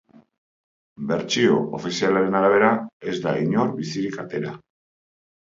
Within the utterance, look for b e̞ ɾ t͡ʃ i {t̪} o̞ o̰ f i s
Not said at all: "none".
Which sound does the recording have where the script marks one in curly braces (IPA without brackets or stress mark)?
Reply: none